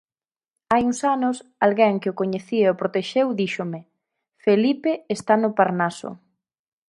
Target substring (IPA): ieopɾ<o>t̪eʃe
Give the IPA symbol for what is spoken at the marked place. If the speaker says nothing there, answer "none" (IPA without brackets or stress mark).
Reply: o